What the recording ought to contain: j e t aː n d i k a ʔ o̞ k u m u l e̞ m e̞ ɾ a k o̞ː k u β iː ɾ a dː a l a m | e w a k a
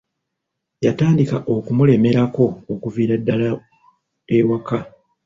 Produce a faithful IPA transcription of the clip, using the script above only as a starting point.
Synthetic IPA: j a t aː n d i k a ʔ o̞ k u m u l e̞ m e̞ ɾ a k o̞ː k u v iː ɾ a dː a l a | e w a k a